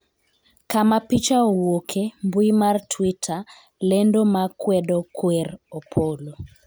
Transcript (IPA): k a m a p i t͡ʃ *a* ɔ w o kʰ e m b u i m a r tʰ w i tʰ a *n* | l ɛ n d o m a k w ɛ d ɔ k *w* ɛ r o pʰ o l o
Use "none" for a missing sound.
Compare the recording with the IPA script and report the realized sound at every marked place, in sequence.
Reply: a, none, w

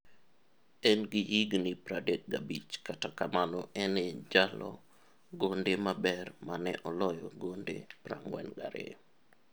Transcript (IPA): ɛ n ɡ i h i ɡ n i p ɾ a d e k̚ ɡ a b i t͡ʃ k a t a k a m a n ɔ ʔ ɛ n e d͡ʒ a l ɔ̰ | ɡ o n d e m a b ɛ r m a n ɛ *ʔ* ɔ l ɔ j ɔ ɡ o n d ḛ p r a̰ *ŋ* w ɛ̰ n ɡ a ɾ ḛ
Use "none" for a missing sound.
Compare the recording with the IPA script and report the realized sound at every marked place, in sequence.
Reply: ʔ, ŋ

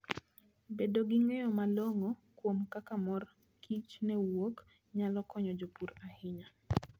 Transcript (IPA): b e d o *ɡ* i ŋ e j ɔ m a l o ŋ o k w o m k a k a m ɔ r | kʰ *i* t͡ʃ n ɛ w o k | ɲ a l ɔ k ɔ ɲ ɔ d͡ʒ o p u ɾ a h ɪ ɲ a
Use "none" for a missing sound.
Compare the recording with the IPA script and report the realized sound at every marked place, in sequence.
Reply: ɡ, i

